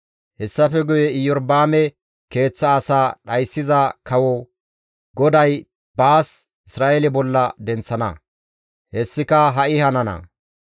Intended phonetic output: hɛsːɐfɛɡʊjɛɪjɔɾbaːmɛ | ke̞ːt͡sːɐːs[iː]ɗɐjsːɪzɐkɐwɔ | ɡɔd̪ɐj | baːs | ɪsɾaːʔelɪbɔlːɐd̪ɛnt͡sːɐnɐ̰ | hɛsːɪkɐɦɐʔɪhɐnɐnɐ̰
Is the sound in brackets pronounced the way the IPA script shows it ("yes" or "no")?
no